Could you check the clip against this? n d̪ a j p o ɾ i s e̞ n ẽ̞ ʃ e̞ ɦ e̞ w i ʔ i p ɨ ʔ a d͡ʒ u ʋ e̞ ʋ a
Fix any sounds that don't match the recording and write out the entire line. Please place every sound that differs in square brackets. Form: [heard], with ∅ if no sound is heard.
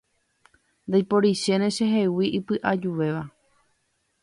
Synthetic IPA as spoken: n d̪ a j p o ɾ i [ʃ] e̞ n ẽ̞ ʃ e̞ ɦ e̞ w i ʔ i p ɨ ʔ a d͡ʒ u ʋ e̞ ʋ a